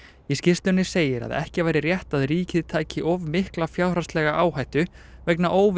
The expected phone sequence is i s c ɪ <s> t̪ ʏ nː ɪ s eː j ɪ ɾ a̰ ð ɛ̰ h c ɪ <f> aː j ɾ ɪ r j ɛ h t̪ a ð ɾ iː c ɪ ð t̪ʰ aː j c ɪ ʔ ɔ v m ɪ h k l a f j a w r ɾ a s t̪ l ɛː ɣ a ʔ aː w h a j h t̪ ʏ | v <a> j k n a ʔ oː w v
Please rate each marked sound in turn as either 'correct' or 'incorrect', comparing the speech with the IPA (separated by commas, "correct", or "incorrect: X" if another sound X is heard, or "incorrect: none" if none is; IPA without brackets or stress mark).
correct, incorrect: v, incorrect: ɛ